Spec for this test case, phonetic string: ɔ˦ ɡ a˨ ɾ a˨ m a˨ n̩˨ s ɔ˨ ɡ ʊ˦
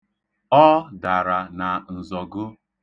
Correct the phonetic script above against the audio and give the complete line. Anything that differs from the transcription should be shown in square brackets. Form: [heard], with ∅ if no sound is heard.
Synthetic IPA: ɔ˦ [d] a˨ ɾ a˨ [n] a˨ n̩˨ [z] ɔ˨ ɡ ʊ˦